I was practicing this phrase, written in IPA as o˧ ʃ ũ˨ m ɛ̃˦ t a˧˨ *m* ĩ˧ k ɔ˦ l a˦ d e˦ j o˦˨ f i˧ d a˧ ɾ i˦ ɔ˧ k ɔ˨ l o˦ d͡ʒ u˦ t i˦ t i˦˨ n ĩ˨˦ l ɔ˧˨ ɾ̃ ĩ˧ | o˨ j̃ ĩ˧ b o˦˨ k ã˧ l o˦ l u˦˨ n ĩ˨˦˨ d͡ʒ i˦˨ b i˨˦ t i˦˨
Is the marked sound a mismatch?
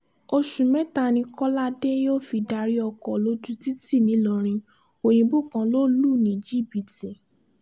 yes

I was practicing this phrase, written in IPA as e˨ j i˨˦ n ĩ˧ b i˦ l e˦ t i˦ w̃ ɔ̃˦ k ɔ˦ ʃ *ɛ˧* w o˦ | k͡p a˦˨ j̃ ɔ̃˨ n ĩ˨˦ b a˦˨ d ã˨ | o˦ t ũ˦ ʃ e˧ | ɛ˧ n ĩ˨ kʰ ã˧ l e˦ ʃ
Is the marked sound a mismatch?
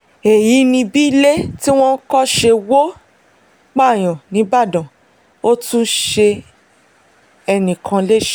yes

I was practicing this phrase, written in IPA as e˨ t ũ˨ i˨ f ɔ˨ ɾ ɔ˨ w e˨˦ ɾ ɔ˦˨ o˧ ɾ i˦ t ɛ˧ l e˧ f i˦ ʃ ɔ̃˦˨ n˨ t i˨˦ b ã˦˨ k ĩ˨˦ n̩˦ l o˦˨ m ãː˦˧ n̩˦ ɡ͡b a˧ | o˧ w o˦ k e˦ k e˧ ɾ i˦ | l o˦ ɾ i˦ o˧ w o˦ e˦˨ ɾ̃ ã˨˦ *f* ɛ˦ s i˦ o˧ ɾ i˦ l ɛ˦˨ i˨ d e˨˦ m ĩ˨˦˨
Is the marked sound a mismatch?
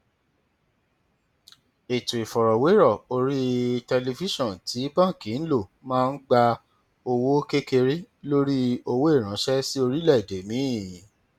yes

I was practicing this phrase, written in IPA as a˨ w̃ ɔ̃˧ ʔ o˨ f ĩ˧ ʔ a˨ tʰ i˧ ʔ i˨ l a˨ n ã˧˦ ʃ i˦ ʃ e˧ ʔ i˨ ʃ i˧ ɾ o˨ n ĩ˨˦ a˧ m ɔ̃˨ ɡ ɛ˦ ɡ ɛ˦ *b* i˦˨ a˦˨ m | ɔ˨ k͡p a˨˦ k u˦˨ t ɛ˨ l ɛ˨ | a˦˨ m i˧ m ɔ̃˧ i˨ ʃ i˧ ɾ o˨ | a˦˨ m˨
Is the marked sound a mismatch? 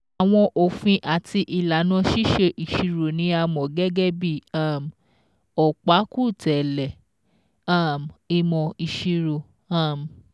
no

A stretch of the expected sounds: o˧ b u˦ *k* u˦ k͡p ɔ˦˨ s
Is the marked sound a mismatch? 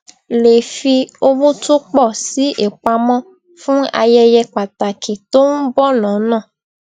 yes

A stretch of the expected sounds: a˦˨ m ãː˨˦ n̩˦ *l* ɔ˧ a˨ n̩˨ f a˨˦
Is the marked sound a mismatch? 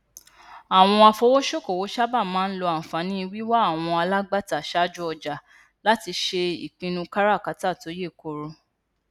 no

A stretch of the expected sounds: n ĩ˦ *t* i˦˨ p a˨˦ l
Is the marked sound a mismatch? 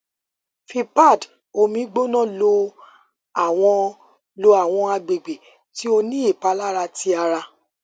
yes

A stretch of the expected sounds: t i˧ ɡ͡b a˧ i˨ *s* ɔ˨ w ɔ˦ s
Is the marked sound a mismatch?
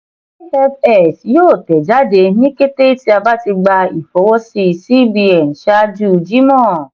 yes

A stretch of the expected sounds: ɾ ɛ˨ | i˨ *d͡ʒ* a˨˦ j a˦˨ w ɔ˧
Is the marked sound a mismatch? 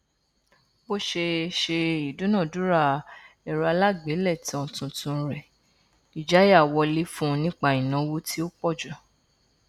no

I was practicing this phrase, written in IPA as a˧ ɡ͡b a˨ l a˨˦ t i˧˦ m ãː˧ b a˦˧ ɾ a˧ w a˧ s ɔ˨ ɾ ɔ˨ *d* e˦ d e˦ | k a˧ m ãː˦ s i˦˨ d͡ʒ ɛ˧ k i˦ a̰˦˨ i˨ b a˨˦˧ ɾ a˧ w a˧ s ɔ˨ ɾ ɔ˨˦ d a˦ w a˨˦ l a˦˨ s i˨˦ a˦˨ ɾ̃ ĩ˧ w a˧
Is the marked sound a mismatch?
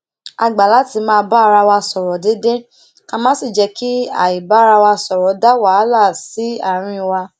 no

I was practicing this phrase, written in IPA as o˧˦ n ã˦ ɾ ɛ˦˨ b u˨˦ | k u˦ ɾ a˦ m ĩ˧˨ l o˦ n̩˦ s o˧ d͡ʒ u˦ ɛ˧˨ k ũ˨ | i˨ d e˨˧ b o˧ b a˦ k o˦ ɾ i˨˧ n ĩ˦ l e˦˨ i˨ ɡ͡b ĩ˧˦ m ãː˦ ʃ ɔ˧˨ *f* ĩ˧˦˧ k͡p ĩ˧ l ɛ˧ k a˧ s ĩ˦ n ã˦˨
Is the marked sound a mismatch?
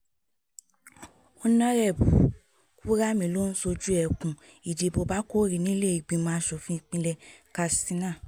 no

